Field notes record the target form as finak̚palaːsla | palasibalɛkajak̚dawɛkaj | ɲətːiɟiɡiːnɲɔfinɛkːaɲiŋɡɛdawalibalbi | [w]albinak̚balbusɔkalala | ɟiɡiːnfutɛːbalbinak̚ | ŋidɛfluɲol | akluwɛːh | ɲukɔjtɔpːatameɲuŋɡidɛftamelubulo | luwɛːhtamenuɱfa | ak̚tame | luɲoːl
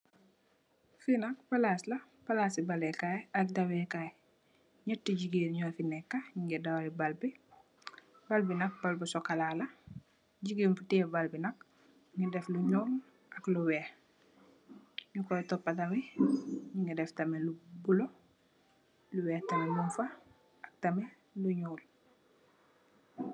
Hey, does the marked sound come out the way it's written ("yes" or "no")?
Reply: no